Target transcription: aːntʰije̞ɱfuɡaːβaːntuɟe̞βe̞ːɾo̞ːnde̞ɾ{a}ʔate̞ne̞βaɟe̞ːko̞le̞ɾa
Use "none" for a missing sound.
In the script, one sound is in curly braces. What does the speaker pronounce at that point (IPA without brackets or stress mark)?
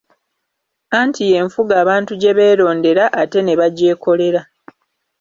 a